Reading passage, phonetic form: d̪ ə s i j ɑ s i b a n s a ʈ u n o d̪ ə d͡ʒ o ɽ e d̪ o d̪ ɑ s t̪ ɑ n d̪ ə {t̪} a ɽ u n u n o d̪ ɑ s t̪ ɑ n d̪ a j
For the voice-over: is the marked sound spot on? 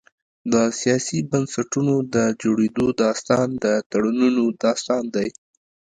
yes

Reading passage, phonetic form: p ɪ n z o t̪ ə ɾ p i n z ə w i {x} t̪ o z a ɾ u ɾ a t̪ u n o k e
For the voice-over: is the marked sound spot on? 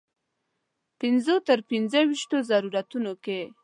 no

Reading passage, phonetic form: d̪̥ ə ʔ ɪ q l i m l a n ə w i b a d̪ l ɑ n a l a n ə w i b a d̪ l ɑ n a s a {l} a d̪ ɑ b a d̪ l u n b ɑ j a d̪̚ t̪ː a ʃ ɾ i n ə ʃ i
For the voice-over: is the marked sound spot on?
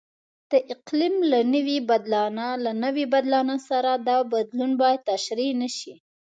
no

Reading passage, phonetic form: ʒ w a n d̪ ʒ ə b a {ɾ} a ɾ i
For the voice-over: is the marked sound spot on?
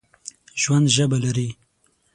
no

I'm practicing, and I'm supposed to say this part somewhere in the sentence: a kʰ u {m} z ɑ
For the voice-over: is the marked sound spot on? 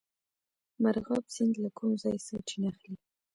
yes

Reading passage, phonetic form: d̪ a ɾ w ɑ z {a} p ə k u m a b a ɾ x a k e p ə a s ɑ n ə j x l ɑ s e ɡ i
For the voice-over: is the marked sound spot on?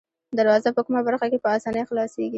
yes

